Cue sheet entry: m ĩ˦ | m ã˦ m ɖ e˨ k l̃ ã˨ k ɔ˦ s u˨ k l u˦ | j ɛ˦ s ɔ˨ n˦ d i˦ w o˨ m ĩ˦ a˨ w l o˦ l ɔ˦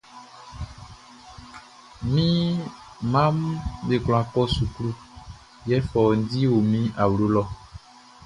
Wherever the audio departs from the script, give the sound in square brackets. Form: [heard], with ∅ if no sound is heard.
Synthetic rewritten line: m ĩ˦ | m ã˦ m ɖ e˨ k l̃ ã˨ k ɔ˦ s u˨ k l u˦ | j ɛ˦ [f] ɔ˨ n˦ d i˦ w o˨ m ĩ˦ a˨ w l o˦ l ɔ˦